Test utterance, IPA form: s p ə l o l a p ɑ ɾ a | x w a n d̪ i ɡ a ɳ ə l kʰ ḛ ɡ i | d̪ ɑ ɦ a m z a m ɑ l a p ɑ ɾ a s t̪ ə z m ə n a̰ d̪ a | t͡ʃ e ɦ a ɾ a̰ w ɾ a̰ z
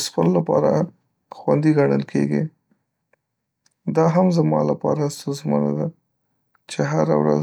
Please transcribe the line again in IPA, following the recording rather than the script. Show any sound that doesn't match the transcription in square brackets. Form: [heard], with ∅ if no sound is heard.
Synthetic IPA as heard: s p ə l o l a p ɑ ɾ a | x w a n d̪ i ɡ a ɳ ə l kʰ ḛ ɡ i | d̪ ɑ ɦ a m z a m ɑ l a p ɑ ɾ a s t̪ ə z m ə n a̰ d̪ a | t͡ʃ e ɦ a ɾ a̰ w ɾ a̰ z